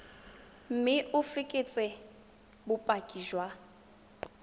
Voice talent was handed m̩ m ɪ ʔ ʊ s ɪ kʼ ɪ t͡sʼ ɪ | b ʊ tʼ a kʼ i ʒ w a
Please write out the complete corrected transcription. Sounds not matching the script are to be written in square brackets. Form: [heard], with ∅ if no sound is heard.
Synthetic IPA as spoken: m̩ m ɪ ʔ ʊ [f] ɪ kʼ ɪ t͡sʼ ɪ | b ʊ [pʼ] a kʼ i ʒ w a